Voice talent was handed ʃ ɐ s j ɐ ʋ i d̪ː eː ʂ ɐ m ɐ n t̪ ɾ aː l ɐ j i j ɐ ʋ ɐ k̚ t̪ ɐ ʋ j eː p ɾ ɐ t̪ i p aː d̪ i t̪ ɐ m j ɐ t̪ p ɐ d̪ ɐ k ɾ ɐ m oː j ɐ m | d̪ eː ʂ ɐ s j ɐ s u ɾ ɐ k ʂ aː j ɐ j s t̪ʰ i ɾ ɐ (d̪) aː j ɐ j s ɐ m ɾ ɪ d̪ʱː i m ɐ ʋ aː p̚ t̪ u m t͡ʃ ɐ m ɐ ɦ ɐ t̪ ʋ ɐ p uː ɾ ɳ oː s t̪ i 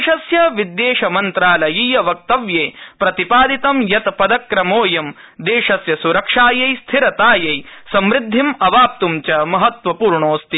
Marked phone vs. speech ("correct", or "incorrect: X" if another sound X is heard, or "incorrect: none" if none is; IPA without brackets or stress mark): incorrect: t̪